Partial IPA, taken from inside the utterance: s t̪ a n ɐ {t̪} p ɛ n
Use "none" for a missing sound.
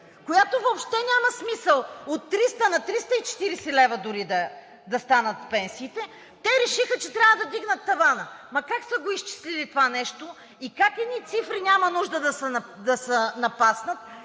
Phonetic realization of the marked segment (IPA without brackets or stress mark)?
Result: t̪